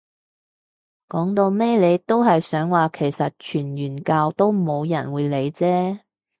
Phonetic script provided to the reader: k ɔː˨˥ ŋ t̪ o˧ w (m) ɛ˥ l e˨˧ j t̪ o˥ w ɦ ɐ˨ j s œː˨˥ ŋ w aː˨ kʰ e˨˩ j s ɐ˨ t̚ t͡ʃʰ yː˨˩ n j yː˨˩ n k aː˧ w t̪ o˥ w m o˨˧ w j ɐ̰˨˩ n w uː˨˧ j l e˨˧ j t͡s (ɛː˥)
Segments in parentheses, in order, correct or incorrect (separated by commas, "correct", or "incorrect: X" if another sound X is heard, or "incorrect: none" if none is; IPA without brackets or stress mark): correct, correct